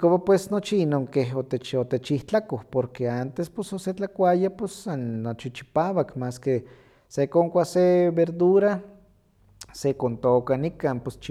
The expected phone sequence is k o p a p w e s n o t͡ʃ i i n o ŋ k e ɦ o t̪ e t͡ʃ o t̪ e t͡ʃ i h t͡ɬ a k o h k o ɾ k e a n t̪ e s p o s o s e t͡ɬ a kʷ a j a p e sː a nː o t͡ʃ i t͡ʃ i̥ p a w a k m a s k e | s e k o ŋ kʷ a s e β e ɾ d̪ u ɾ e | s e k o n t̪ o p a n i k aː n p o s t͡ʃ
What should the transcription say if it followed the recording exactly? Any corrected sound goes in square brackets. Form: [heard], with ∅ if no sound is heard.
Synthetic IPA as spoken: k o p a p w e s n o t͡ʃ i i n o ŋ k e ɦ o t̪ e t͡ʃ o t̪ e t͡ʃ i h t͡ɬ a k o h [p] o ɾ k e a n t̪ e s p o s o s e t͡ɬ a kʷ a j a p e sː a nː o t͡ʃ i t͡ʃ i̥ p a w a k m a s k e | s e k o ŋ kʷ a s e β e ɾ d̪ u ɾ [a] | s e k o n t̪ o [k] a n i k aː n p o s t͡ʃ